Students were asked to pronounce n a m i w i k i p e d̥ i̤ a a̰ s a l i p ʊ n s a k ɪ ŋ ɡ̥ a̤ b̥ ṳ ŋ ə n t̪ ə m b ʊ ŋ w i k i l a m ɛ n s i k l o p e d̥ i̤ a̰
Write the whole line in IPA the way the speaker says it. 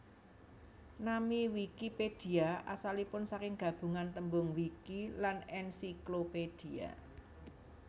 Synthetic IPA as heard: n a m i w i k i p e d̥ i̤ a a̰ s a l i p ʊ n s a k ɪ ŋ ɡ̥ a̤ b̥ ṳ ŋ a n t̪ ə m b ʊ ŋ w i k i l a n ɛ n s i k l o p e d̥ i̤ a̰